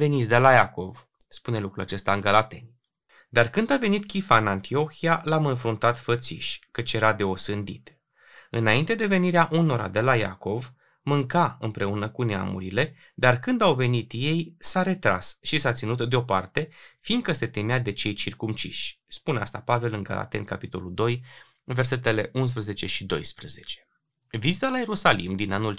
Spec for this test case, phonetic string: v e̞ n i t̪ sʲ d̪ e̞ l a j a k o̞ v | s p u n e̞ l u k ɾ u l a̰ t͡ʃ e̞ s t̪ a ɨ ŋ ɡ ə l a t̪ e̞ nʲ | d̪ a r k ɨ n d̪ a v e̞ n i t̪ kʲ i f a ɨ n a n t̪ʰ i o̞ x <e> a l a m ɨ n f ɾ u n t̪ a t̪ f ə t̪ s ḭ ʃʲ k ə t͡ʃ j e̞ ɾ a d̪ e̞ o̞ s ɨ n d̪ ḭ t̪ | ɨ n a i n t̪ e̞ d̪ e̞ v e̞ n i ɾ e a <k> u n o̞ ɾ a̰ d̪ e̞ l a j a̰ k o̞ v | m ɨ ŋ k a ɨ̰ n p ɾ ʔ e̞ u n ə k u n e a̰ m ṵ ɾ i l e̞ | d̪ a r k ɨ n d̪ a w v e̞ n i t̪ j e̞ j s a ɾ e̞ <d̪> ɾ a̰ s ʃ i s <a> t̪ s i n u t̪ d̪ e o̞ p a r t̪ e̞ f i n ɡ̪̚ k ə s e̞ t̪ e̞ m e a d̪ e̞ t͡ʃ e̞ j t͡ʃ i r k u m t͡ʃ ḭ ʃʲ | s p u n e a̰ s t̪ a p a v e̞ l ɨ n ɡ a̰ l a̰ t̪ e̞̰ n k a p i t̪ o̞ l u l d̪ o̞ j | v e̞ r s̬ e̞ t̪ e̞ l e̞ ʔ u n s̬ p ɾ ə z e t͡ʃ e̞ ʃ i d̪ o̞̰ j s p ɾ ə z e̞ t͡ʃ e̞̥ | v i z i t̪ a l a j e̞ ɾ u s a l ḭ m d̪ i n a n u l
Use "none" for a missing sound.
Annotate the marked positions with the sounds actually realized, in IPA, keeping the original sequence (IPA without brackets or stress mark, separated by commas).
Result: i, ʔ, t̪, a